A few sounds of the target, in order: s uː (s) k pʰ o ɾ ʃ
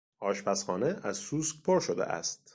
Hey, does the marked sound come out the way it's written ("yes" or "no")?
yes